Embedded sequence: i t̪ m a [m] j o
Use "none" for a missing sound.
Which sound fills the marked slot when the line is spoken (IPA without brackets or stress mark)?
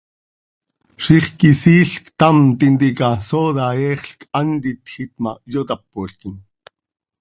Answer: none